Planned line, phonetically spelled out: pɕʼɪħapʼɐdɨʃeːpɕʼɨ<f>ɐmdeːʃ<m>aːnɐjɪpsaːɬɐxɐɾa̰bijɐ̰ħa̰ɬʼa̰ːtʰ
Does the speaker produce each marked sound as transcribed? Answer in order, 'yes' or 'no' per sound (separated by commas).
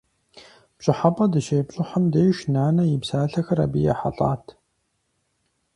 no, no